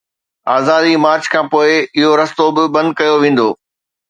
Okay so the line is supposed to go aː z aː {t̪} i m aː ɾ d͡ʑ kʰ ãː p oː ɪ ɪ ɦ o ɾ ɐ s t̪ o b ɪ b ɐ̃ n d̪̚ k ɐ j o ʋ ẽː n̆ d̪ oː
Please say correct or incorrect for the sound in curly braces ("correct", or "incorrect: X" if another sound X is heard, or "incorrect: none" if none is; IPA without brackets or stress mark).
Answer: incorrect: d̪